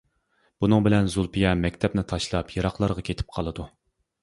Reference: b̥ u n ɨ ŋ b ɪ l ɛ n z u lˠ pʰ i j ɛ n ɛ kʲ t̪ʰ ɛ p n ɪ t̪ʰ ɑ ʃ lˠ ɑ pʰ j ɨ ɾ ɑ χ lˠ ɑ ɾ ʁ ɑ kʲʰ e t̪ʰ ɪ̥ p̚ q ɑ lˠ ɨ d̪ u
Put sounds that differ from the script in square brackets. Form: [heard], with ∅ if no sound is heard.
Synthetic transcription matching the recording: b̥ u n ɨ ŋ b ɪ l ɛ n z u lˠ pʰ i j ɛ [m] ɛ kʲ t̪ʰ ɛ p n ɪ t̪ʰ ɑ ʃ lˠ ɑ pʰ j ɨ ɾ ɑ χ lˠ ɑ ɾ ʁ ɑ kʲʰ e t̪ʰ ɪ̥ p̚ [qʰ] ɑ lˠ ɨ d̪ u